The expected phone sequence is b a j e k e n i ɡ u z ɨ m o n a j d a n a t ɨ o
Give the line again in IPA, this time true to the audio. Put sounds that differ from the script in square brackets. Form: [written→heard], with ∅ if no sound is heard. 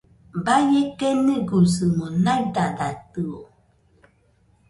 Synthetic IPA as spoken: b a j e k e n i ɡ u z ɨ m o n a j d a [n→d] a t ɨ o